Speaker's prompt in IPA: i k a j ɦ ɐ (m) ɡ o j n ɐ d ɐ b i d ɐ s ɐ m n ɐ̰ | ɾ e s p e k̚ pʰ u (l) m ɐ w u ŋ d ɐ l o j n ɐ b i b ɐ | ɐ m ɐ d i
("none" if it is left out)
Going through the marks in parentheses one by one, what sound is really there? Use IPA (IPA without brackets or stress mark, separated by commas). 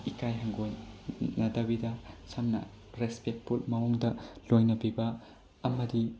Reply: ŋ, l